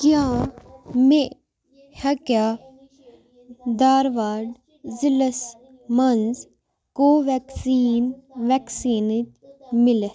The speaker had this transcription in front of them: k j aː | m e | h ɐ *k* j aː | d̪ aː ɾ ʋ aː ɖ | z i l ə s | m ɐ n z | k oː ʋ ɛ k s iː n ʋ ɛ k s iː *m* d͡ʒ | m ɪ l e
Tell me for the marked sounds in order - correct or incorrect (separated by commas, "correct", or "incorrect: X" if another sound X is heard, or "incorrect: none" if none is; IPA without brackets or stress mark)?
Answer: correct, incorrect: n